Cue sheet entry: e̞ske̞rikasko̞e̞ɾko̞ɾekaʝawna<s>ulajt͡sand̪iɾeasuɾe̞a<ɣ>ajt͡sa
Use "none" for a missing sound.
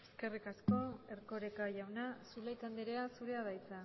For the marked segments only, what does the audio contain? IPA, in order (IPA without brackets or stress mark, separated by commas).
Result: s, ð